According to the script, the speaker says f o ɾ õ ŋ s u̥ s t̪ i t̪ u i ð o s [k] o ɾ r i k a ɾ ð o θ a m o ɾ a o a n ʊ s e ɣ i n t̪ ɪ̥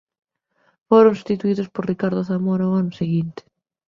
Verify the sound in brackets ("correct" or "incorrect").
incorrect